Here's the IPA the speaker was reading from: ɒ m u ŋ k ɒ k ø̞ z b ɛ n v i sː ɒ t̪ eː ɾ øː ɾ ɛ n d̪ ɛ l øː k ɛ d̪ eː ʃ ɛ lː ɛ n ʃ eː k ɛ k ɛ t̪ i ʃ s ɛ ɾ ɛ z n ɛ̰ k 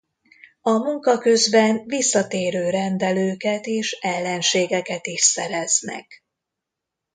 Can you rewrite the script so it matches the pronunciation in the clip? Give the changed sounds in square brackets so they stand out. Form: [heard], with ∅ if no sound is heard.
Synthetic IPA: ɒ m u ŋ k ɒ k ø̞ z b ɛ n v i sː ɒ t̪ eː ɾ øː ɾ ɛ n d̪ ɛ l øː k ɛ [t̪] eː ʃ ɛ lː ɛ n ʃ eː [ɡ] ɛ k ɛ t̪ i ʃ s ɛ ɾ ɛ z n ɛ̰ k